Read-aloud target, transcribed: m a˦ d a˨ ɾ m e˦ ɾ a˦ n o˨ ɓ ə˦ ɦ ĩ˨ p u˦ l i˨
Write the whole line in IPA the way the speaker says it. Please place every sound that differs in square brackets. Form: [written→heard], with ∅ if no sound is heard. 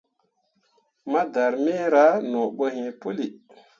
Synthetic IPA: m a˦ d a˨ ɾ m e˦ ɾ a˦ n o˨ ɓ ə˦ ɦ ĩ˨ p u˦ l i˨

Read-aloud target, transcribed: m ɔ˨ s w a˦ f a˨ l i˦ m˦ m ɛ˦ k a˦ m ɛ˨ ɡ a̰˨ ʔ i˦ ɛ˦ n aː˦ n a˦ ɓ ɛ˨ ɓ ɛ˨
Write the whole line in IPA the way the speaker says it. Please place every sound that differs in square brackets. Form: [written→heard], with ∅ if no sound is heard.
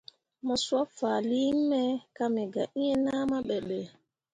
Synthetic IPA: m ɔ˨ s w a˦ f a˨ l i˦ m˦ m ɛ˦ k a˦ m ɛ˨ ɡ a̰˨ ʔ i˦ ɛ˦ n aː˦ [n→m] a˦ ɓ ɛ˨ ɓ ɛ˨

